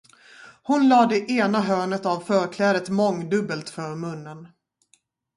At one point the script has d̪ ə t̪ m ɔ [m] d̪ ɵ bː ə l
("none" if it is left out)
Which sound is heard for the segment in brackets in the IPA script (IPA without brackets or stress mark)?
ŋ